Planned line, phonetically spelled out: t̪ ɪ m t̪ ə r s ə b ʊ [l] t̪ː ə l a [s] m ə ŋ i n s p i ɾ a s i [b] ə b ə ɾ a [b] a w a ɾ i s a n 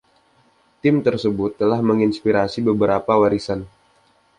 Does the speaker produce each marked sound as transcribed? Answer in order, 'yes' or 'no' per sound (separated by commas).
no, no, yes, no